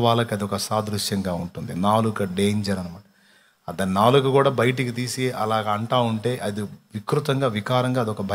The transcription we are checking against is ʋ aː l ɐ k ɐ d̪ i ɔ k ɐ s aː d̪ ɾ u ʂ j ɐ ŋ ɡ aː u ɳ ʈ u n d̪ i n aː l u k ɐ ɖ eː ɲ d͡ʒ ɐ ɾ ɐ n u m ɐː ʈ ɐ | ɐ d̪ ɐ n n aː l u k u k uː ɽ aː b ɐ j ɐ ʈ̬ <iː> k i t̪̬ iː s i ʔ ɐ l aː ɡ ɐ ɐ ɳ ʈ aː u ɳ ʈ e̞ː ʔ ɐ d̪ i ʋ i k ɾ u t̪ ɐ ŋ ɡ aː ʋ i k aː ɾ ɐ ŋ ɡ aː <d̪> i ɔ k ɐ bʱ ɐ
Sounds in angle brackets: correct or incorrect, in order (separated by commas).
incorrect, correct